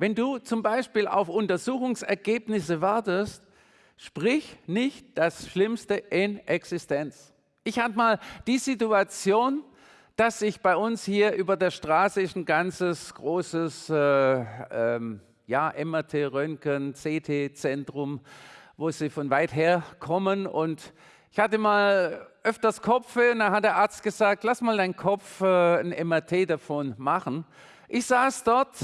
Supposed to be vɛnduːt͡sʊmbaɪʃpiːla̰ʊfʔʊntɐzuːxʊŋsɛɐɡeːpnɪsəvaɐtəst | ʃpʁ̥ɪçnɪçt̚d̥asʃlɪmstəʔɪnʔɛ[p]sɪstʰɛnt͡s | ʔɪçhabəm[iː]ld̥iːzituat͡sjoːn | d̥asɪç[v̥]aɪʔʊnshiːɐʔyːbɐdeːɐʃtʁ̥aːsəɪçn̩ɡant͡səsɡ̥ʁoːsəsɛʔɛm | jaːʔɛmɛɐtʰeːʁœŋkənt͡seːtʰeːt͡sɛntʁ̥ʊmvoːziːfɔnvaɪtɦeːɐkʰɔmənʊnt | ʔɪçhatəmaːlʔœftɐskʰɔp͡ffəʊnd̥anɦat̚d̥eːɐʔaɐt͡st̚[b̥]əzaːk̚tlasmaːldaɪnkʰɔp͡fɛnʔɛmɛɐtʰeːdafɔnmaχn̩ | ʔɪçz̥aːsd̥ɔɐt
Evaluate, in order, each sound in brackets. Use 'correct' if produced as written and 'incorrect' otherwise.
incorrect: k, incorrect: aː, incorrect: b̥, incorrect: ɡ̥

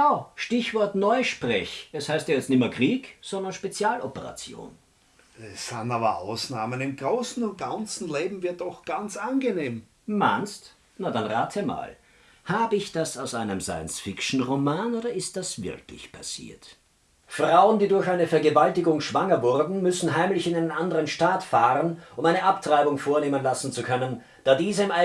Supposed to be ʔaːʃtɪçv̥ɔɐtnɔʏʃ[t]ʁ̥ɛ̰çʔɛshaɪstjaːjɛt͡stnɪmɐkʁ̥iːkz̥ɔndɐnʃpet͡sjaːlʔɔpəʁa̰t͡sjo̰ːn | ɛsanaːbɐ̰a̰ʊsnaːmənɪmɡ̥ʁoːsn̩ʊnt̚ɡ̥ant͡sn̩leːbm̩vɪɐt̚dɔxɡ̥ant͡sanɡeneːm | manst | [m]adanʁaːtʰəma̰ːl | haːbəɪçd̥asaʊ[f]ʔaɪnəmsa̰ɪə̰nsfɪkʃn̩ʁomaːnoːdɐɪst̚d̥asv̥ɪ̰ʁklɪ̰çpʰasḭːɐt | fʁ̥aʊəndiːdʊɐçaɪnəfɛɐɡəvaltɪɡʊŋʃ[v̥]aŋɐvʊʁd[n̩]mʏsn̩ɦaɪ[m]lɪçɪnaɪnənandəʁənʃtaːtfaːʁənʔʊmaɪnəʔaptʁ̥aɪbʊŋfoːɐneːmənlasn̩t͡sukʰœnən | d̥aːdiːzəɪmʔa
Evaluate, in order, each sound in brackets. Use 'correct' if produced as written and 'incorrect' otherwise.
incorrect: p, incorrect: n, incorrect: s, correct, correct, correct

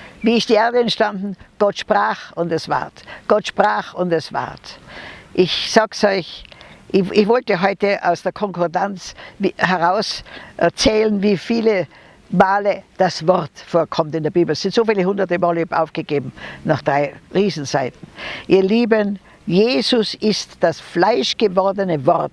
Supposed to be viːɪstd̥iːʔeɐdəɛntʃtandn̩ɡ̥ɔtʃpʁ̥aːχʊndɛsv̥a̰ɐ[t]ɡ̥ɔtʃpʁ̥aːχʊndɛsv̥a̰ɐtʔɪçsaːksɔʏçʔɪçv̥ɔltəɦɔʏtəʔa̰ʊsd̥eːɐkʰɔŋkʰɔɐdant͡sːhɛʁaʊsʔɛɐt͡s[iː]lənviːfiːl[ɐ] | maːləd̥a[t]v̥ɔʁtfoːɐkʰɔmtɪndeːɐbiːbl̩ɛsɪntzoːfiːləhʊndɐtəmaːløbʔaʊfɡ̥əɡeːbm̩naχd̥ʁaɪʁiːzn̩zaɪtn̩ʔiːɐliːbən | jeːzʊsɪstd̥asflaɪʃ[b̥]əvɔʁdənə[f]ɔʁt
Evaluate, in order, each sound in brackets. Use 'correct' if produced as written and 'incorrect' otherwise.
correct, incorrect: ɛː, incorrect: ə, incorrect: s, incorrect: ɡ̥, incorrect: v

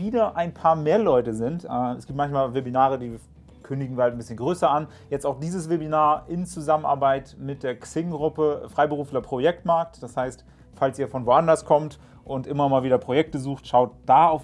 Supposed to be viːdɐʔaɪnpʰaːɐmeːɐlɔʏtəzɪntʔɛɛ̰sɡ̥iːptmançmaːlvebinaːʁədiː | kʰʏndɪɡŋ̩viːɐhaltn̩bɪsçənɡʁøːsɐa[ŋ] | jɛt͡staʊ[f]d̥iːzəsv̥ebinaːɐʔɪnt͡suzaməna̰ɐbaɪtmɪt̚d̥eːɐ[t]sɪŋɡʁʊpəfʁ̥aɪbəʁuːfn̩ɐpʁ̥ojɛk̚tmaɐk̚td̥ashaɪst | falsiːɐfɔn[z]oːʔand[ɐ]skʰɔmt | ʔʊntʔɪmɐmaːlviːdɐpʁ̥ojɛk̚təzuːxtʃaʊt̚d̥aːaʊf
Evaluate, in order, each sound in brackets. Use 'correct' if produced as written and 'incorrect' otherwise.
incorrect: n, incorrect: x, incorrect: k, incorrect: v, correct

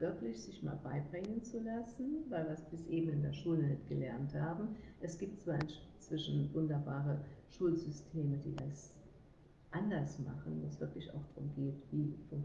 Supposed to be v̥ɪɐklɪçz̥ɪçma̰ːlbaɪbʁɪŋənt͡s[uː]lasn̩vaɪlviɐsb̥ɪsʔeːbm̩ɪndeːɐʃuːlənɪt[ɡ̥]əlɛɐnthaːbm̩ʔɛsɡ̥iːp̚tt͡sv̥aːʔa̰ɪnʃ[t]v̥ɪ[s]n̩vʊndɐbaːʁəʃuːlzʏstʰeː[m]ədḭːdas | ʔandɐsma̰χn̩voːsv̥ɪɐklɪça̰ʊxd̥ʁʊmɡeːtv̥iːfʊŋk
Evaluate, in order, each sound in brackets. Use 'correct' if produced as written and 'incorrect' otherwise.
incorrect: u, correct, incorrect: t͡s, incorrect: ʃ, correct

